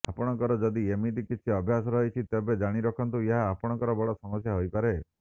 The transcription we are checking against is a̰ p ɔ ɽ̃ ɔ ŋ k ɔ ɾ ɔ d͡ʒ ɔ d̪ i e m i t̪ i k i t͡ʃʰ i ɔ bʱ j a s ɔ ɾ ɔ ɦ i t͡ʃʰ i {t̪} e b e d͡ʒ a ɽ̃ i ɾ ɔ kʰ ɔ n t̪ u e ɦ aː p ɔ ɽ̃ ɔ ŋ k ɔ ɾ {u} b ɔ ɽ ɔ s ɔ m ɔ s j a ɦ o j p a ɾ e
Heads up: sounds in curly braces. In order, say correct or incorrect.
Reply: correct, incorrect: ɔ

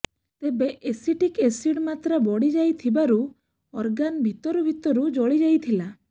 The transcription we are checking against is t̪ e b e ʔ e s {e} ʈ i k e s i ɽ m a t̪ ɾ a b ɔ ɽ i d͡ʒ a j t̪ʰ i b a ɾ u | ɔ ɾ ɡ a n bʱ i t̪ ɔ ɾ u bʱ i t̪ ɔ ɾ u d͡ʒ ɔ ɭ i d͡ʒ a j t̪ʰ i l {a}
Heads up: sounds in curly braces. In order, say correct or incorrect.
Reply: incorrect: i, correct

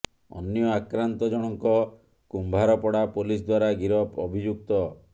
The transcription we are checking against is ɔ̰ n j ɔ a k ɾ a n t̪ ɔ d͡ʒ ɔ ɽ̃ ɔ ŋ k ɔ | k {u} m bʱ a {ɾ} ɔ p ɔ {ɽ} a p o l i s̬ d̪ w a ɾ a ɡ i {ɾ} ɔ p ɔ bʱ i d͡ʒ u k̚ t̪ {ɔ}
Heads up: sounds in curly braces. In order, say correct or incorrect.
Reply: correct, correct, correct, correct, correct

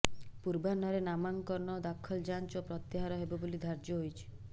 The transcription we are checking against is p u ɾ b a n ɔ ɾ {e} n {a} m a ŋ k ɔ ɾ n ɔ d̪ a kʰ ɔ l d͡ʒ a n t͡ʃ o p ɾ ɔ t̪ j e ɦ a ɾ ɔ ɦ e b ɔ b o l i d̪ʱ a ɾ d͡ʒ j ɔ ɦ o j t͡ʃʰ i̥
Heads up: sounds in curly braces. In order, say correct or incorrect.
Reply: correct, correct

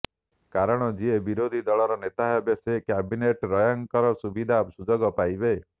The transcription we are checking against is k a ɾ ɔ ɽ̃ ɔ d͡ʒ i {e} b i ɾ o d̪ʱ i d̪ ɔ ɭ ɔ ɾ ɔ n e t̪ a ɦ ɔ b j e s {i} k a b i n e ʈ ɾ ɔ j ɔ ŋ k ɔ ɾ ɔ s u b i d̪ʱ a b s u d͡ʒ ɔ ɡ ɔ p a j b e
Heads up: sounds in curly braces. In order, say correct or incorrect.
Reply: correct, incorrect: e

